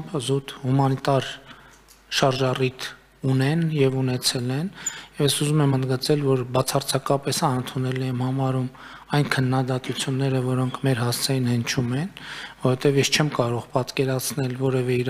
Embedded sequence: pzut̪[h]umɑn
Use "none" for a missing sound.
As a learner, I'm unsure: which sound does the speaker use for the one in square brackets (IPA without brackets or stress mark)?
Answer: h